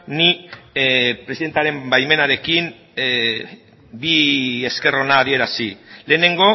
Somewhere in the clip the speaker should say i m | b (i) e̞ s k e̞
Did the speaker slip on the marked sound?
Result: no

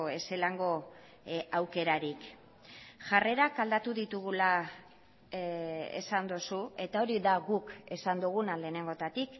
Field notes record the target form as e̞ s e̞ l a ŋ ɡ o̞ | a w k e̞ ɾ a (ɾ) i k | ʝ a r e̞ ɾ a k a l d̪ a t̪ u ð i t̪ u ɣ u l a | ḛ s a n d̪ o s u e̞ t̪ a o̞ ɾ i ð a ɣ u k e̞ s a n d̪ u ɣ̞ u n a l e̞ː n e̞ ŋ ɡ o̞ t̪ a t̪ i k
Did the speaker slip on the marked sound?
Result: no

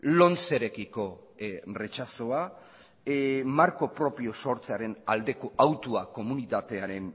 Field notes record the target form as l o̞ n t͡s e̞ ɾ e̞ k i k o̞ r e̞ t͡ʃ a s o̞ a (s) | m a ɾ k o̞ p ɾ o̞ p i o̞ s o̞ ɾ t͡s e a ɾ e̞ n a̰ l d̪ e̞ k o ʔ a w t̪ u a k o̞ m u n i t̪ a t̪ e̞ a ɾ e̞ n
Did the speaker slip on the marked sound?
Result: yes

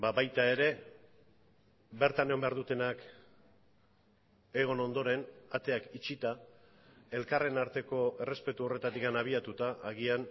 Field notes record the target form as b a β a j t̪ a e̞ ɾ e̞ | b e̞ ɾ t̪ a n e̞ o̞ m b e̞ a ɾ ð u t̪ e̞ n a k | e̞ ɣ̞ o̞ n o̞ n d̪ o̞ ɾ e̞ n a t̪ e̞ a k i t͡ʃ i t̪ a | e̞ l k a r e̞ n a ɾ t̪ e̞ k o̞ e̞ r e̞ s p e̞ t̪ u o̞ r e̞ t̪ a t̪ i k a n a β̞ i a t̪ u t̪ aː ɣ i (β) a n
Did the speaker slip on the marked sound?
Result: yes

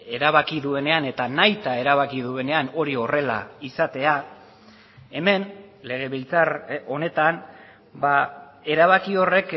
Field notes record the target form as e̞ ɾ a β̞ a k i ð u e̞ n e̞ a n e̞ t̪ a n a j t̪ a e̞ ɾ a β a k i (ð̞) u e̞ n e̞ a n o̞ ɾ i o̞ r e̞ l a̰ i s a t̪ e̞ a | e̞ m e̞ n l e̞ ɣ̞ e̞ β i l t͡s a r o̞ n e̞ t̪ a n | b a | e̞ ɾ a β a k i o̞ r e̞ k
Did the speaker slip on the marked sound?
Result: no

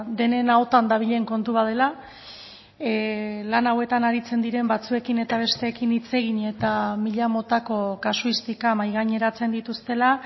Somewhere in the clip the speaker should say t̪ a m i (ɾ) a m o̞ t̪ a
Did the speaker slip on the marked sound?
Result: yes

